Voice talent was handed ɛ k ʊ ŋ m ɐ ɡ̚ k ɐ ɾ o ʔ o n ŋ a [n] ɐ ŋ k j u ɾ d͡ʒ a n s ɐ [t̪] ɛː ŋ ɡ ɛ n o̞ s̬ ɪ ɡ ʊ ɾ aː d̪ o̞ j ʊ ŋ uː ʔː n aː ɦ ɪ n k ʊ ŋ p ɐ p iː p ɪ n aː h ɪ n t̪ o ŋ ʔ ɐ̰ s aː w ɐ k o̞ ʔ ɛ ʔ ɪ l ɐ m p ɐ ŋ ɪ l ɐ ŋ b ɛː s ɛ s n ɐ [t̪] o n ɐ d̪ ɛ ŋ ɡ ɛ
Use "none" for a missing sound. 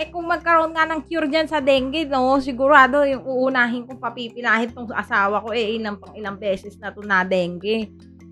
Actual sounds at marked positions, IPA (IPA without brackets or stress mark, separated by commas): n, d̪, t̪